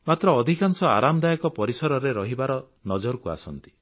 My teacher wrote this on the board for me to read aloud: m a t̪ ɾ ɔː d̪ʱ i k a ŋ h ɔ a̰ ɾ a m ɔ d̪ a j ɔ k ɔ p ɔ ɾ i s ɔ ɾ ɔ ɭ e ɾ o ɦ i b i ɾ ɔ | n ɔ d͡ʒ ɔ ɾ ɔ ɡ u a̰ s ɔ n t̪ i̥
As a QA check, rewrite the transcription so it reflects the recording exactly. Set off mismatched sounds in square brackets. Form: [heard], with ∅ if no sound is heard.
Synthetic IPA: m a t̪ ɾ ɔː d̪ʱ i k a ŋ [s] ɔ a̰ ɾ a m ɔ d̪ a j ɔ k ɔ p ɔ ɾ i s ɔ ɾ ɔ [ɾ] e ɾ [ɔ] ɦ i b [a] ɾ ɔ | n ɔ d͡ʒ ɔ ɾ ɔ [k] u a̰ s ɔ n t̪ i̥

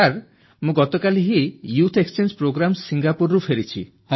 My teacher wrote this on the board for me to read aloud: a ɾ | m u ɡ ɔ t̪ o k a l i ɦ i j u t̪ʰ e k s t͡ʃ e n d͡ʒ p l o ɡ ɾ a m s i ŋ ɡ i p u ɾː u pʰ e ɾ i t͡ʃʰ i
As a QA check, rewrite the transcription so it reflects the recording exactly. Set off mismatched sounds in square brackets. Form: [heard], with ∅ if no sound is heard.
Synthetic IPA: a ɾ | m [ũ] ɡ ɔ t̪ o k a l i ɦ i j u t̪ʰ e k s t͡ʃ e n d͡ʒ p [ɾ] o ɡ ɾ a m s i ŋ ɡ [a] p u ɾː u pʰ e ɾ i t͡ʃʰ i

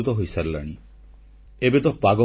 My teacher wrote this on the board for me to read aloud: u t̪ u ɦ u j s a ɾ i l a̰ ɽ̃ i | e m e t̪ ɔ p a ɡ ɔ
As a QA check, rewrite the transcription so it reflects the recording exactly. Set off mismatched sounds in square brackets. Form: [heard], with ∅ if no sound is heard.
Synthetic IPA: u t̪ [ɔ] ɦ [o] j s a ɾ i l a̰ ɽ̃ i | e [b] e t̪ ɔ p a ɡ ɔ

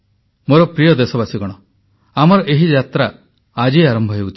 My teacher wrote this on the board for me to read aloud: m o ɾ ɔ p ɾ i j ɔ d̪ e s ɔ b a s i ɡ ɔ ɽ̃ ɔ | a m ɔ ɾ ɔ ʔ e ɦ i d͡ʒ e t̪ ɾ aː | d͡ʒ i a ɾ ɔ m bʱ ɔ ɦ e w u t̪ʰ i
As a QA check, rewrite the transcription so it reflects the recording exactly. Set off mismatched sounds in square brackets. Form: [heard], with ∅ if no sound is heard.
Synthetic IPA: m o ɾ ɔ p ɾ i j ɔ d̪ e s ɔ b a s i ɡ ɔ ɽ̃ ɔ | a m ɔ ɾ ɔ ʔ e ɦ i d͡ʒ [a] t̪ ɾ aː | d͡ʒ i a ɾ ɔ m bʱ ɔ ɦ e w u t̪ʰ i

